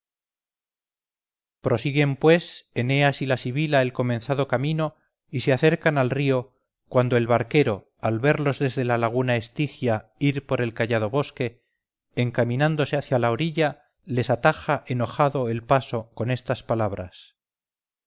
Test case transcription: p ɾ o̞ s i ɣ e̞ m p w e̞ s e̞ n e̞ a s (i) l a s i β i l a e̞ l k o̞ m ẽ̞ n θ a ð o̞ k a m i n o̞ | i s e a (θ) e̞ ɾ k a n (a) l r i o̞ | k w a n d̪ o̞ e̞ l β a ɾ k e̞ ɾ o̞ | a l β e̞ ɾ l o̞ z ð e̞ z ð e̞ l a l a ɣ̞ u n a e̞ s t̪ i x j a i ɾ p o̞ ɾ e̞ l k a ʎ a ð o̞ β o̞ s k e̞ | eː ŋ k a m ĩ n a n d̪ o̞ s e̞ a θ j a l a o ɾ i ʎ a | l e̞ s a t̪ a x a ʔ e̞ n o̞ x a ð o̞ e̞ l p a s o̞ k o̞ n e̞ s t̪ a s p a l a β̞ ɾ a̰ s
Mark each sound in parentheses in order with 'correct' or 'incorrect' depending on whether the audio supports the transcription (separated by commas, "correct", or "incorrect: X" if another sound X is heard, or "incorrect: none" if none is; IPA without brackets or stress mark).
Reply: correct, correct, correct